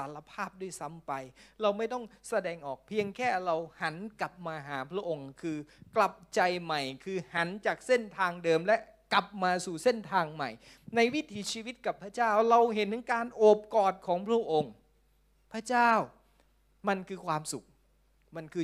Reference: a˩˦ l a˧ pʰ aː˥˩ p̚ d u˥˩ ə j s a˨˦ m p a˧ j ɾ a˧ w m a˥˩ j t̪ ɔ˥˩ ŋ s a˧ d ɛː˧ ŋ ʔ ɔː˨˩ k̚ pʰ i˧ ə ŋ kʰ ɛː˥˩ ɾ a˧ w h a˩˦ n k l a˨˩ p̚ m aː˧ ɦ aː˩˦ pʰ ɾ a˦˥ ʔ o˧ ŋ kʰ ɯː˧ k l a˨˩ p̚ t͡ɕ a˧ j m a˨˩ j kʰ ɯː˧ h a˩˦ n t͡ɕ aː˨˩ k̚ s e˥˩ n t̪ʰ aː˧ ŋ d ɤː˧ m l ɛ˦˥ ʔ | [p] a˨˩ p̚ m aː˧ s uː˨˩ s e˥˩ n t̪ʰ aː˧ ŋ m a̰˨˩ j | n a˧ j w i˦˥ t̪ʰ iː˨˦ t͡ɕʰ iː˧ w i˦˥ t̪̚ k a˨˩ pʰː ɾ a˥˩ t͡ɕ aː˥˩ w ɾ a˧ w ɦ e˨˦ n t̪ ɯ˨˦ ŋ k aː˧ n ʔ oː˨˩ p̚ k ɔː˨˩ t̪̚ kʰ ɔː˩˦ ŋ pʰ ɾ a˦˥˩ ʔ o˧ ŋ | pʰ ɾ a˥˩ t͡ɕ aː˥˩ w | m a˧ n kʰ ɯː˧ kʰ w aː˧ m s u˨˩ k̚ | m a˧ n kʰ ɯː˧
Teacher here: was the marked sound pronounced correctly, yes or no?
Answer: no